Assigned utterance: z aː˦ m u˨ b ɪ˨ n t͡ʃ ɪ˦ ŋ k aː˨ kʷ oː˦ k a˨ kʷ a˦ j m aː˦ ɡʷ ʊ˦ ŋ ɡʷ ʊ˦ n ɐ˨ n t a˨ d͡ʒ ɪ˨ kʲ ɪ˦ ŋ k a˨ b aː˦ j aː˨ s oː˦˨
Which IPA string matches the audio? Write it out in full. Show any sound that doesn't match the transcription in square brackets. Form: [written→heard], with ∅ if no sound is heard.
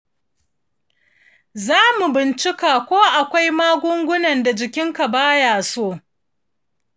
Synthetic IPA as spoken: z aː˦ m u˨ b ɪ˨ n t͡ʃ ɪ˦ [ŋ→∅] k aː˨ kʷ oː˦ [k→ʔ] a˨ kʷ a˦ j m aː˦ ɡʷ ʊ˦ ŋ ɡʷ ʊ˦ n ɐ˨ n [t→d] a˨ d͡ʒ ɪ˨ kʲ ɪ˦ ŋ k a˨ b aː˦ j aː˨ s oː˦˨